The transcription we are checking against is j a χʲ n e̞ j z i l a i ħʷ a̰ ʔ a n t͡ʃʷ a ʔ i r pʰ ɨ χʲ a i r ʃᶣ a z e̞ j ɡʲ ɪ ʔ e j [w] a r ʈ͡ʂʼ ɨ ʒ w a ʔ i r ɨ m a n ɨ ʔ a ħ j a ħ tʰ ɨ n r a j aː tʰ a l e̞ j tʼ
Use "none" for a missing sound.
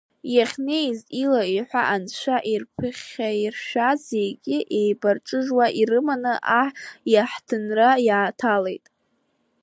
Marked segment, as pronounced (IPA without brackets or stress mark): b